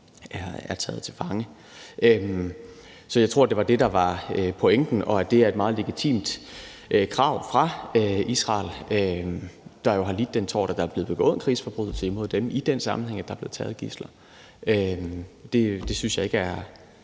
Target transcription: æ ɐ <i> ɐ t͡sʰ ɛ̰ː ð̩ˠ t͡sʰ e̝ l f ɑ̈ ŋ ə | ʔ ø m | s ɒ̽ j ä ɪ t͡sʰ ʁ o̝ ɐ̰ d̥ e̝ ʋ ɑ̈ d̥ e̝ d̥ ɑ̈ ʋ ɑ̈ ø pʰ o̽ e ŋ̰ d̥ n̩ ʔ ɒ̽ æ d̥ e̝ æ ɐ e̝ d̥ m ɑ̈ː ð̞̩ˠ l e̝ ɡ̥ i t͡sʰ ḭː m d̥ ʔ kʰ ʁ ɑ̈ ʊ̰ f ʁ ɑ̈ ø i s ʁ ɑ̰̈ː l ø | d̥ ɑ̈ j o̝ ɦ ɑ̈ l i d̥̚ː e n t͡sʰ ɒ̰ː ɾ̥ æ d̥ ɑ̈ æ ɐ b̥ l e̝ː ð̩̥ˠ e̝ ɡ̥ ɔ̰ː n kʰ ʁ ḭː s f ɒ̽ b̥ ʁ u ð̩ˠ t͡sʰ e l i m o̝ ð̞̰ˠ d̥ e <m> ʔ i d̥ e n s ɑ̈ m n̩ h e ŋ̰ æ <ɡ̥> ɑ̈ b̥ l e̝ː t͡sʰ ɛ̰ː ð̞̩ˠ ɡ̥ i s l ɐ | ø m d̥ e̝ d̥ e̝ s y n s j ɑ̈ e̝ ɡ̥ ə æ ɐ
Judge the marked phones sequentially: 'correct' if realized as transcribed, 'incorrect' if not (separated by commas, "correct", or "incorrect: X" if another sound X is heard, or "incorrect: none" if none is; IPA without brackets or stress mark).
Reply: incorrect: æ, correct, incorrect: d̥